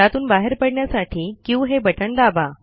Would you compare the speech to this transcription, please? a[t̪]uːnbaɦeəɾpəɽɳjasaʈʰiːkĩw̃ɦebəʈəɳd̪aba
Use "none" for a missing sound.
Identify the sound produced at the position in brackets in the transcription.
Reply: t̪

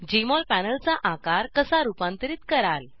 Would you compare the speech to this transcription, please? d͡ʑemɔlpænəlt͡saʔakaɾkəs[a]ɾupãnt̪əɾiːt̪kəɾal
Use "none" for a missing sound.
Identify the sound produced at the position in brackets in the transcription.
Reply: a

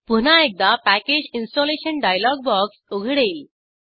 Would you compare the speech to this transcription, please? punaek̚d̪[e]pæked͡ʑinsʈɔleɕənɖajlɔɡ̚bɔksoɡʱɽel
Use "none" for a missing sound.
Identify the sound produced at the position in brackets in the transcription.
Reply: a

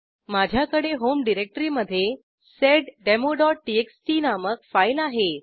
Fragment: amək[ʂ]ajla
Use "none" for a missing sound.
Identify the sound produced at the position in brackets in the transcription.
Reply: f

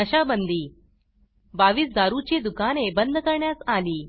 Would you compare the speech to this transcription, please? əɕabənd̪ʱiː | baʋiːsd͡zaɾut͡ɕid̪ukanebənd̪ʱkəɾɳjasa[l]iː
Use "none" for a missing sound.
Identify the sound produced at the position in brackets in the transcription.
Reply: l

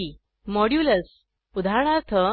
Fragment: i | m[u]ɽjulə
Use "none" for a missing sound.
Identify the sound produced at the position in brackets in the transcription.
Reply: ɔ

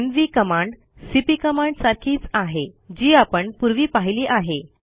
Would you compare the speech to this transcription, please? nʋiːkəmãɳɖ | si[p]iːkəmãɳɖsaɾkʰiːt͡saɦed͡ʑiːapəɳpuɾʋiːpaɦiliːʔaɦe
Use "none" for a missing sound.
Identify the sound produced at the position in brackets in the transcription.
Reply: p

